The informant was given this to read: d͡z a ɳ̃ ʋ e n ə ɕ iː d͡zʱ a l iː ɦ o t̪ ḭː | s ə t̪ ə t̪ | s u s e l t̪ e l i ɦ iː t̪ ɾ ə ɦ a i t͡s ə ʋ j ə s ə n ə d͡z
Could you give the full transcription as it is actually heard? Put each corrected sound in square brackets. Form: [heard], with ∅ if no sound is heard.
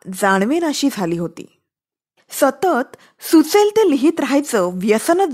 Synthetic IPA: d͡z a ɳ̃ ʋ e n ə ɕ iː d͡zʱ a l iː ɦ o t̪ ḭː | s ə t̪ ə t̪ | s u [t͡s] e l t̪ e l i ɦ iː t̪ ɾ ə ɦ a [j] t͡s ə ʋ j ə s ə n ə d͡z